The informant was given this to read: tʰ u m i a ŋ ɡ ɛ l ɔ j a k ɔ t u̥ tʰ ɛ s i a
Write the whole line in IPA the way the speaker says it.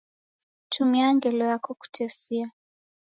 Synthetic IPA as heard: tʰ u m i a ŋ ɡ ɛ l ɔ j a k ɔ k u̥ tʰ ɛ s i a

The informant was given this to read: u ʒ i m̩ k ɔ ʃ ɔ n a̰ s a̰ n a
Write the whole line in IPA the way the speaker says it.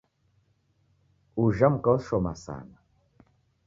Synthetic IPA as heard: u ʒ a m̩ k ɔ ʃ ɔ m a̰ s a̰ n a

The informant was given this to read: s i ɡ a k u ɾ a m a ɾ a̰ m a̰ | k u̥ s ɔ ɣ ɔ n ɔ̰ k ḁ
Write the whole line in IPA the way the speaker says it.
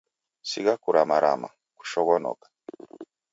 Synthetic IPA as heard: s i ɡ a k u ɾ a m a ɾ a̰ m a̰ | k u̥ ʃ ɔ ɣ ɔ n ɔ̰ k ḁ

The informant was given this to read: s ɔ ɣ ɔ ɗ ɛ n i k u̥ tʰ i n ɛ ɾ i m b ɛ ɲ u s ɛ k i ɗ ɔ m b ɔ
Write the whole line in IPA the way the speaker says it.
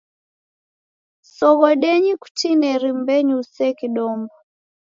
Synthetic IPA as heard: s ɔ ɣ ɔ ɗ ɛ ɲ i k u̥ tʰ i n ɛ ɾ i m b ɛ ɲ u s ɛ k i ɗ ɔ m b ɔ

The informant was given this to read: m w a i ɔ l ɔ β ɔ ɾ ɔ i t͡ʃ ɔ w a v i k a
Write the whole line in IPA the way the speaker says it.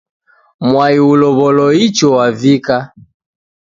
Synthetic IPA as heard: m w a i u l ɔ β ɔ l ɔ i t͡ʃ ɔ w a v i k a

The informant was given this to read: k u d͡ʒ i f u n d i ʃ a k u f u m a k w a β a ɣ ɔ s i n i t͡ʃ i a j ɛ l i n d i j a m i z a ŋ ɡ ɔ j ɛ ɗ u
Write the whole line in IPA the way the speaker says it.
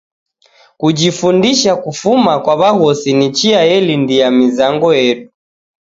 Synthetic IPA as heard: k u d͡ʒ i f u n d i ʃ a k u f u m a k w a β a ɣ ɔ s i n i t͡ʃ i a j ɛ l i n d i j a m i z a ŋ ɡ ɔ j ɛ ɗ u

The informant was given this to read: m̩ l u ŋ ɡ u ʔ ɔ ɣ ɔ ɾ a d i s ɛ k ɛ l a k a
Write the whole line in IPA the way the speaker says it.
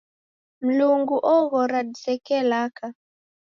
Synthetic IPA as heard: m̩ l u ŋ ɡ u ʔ ɔ ɣ ɔ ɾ a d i s ɛ k ɛ l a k a

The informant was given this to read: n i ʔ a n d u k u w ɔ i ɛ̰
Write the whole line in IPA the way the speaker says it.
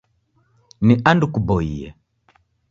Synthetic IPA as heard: n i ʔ a n d u k u b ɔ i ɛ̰

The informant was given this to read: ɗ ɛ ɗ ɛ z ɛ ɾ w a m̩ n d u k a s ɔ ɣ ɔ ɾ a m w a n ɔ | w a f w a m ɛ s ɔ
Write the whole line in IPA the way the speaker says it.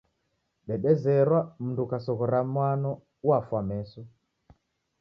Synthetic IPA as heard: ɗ ɛ ɗ ɛ z ɛ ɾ w a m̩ n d u k a s ɔ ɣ ɔ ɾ a m w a n ɔ | w a f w a m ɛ s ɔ

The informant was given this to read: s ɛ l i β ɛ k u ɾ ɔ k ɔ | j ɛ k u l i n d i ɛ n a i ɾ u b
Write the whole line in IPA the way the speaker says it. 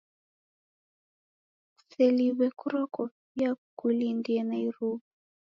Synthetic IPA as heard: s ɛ l i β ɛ k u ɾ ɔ k ɔ | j a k u l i n d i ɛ n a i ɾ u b

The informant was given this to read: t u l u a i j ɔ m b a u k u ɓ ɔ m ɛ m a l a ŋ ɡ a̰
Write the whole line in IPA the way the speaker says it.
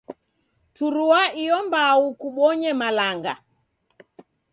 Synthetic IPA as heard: t u ɾ u a i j ɔ m b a u k u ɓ ɔ ɲ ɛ m a l a ŋ ɡ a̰

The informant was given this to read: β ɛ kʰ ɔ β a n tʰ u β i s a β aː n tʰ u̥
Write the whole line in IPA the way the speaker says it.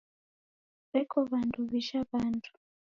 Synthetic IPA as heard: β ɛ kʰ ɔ β a n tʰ u β i ʃ a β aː n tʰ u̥

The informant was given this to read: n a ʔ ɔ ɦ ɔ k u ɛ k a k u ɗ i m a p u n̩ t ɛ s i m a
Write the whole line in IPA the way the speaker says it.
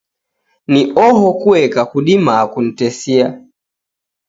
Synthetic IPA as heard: n i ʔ ɔ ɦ ɔ k u ɛ k a k u ɗ i m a k u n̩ t ɛ s i a

